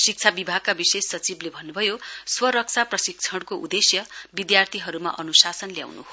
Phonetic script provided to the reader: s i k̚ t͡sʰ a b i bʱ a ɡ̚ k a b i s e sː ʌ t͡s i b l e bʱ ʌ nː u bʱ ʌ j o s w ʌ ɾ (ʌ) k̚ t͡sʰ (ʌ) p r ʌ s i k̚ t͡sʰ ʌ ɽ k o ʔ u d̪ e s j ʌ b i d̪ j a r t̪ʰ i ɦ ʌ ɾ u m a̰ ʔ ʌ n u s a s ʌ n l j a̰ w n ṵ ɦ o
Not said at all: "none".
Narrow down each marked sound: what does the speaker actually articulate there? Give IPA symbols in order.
ʌ, a

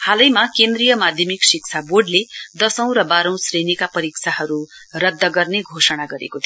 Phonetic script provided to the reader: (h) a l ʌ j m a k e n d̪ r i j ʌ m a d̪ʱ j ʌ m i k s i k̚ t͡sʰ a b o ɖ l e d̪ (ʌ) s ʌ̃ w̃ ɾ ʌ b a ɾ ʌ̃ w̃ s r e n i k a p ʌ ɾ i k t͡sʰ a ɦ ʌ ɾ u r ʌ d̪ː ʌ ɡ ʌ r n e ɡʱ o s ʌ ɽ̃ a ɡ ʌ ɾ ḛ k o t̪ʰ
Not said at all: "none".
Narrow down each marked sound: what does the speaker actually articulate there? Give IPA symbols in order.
h, ʌ

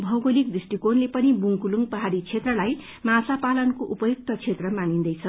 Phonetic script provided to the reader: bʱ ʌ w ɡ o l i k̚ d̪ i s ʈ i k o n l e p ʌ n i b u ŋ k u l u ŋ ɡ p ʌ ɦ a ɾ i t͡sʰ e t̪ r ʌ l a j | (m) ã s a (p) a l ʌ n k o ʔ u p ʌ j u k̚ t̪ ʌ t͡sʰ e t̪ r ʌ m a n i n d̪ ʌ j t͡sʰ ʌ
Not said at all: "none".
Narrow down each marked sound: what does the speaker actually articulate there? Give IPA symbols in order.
m, p

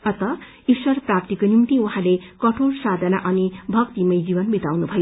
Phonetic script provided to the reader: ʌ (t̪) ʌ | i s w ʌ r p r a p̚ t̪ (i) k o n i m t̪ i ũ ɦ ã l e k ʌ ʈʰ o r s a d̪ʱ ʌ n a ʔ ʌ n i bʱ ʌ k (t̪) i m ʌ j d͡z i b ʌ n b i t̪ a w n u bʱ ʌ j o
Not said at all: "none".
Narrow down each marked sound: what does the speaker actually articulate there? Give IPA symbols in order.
t̪, i, t̪

